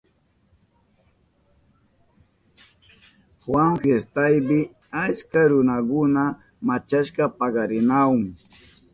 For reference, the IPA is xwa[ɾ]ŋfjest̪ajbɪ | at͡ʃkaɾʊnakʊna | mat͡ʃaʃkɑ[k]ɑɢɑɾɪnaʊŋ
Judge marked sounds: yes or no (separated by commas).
no, no